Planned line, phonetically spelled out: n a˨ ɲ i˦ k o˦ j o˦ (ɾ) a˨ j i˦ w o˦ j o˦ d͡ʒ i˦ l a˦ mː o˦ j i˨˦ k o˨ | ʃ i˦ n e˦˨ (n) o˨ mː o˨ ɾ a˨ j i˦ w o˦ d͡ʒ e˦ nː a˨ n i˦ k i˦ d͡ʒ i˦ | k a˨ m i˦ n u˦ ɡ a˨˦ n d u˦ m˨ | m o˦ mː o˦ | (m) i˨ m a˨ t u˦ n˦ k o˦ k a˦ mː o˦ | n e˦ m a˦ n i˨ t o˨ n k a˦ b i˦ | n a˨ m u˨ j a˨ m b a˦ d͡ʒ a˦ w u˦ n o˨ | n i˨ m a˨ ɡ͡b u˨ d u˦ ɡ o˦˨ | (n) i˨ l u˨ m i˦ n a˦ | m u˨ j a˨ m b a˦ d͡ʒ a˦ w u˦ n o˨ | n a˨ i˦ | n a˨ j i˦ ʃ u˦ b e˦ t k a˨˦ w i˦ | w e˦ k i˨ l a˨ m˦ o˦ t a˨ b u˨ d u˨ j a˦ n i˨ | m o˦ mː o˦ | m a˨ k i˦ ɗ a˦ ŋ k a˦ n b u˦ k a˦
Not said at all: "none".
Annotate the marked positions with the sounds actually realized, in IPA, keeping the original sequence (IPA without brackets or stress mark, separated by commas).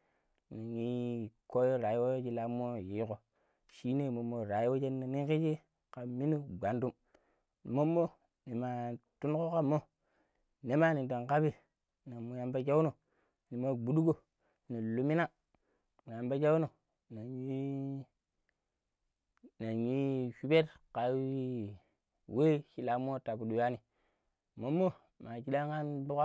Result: ɾ, m, n, n